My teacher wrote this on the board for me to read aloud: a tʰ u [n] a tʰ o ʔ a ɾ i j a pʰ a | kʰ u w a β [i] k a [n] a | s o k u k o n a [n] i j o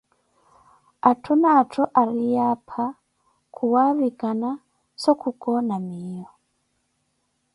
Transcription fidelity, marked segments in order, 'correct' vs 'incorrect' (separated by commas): correct, correct, correct, incorrect